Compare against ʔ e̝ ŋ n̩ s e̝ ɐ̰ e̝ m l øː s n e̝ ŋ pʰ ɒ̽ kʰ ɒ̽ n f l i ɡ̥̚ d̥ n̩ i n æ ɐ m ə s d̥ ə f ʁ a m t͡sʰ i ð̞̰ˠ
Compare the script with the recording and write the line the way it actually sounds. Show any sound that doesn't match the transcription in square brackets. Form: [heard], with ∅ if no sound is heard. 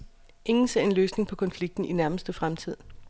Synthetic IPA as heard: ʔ e̝ ŋ n̩ s e̝ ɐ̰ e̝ [n] l øː s n e̝ ŋ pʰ ɒ̽ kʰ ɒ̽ n f l i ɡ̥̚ d̥ n̩ i n æ ɐ m ə s d̥ ə f ʁ a m t͡sʰ i ð̞̰ˠ